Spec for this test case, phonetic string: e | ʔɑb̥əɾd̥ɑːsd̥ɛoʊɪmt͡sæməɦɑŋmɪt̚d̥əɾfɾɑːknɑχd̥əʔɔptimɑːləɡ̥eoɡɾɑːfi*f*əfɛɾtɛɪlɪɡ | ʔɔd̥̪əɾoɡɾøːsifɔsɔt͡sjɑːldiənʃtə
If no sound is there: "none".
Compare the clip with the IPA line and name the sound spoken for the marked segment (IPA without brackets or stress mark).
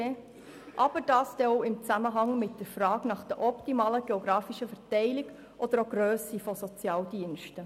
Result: ʃ